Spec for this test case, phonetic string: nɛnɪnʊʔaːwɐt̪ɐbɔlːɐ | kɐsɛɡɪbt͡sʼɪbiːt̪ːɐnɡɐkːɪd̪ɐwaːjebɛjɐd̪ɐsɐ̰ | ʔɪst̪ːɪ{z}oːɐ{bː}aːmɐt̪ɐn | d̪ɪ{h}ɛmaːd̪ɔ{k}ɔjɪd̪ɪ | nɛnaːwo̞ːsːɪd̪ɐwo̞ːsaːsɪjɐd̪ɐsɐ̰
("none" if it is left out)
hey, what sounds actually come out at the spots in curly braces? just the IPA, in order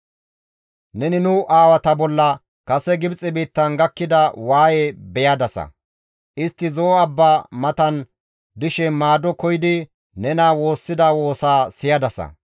z, bː, ʃ, k

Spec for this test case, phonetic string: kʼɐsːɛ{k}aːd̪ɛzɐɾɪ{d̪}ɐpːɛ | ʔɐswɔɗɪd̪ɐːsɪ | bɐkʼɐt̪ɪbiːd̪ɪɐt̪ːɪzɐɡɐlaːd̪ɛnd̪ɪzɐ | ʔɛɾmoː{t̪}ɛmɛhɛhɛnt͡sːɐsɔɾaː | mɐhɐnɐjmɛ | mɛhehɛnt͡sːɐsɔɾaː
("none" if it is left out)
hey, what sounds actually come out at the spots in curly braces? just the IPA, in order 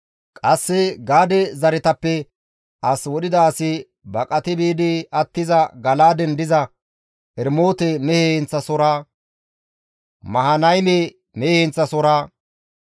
ɡ, t̪, t̪

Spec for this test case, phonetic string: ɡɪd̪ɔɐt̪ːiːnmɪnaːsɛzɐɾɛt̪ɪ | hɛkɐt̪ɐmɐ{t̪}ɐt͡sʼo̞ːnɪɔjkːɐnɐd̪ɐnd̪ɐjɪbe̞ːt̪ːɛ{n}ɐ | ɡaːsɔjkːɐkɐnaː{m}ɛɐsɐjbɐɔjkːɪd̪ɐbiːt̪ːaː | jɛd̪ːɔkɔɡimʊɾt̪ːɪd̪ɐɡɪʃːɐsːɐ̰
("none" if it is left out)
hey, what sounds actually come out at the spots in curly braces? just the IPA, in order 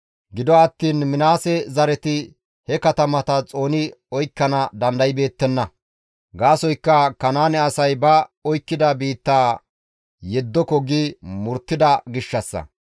t̪, nː, n

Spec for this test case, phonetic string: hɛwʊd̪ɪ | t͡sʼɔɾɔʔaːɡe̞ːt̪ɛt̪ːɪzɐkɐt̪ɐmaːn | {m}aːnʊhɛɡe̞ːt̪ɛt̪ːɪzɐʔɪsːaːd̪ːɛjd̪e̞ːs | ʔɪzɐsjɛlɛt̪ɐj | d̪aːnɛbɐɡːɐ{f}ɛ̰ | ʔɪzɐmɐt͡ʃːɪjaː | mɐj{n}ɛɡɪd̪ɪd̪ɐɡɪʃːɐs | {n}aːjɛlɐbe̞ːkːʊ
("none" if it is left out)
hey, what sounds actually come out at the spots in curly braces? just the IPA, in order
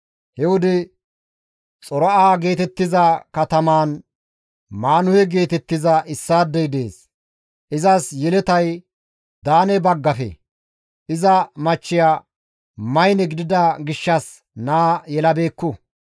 m, f, n, n

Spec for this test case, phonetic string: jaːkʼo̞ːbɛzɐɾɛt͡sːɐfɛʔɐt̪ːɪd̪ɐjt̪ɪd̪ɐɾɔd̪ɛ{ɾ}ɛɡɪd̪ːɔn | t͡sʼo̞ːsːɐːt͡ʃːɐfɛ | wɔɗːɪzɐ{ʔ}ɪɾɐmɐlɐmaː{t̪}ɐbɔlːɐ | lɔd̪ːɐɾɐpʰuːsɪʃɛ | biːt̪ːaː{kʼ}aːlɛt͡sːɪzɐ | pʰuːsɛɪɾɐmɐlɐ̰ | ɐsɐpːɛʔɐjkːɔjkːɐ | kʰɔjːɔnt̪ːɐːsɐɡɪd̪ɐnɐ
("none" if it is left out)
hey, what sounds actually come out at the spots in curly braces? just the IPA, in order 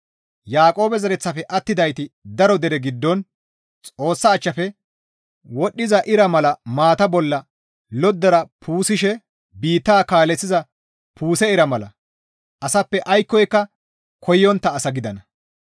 ɾ, ʔ, t̪, k

